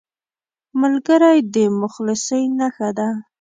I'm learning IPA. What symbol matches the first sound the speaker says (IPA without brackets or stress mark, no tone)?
m